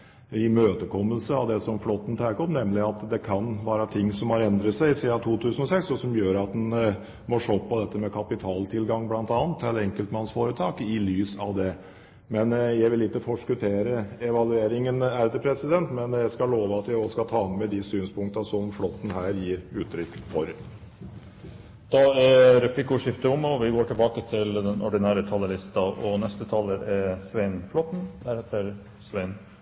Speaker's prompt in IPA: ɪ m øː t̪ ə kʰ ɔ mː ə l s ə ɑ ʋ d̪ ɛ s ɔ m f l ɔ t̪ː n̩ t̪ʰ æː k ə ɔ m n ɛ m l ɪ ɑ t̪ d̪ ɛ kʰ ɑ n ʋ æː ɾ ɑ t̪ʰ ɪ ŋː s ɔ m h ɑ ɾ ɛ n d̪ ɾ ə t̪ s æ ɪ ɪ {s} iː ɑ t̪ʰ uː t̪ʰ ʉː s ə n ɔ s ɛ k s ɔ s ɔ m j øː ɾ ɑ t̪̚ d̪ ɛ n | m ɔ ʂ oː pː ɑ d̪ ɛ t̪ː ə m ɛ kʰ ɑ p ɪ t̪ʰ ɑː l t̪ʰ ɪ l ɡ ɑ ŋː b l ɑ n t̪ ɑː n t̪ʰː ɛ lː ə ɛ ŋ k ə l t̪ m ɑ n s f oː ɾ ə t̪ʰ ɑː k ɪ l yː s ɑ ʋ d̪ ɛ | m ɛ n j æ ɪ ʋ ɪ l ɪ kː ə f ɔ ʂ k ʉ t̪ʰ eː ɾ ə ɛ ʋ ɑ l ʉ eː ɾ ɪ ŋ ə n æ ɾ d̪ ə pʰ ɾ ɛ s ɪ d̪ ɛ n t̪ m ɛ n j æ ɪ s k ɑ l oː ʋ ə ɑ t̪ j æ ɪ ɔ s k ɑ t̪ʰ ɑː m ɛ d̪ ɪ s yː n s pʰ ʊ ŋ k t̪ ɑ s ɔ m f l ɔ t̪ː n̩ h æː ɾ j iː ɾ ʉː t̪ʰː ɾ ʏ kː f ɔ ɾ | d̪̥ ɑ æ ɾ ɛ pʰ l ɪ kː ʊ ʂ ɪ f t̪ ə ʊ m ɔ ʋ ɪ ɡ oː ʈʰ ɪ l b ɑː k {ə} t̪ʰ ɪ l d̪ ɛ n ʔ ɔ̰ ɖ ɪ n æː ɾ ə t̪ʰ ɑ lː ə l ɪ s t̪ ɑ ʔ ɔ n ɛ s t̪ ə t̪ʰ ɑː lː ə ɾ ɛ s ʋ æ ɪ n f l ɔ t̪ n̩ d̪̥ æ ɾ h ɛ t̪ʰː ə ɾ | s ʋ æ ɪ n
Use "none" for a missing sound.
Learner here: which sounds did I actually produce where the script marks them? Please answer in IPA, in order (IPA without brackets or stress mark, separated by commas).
s, ə